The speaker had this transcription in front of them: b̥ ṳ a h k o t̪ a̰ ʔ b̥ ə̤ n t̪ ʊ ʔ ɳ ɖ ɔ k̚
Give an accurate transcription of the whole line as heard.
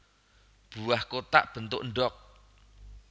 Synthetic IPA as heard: b̥ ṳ a h k o t̪ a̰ ʔ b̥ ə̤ n t̪ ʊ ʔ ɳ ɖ ɔ k̚